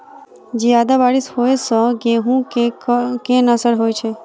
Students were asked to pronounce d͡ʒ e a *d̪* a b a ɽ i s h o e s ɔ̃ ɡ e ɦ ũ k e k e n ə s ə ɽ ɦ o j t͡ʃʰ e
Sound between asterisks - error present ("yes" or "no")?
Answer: no